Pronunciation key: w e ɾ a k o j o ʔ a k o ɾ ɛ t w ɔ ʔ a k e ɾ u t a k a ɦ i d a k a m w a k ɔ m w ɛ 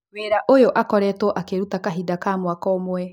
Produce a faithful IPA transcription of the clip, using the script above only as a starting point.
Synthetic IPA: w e ɾ a ʔ o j o ʔ a k ɔ ɾ ɛ t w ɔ ʔ a k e ɾ u t a k a ɦ i d a k a m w a k ɔ m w ɛ